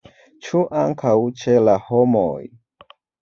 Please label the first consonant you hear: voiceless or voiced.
voiceless